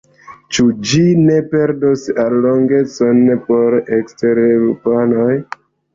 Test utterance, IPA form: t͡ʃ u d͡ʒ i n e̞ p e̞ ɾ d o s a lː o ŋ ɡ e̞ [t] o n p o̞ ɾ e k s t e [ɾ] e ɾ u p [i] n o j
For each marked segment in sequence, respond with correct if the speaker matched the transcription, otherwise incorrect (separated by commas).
incorrect, correct, incorrect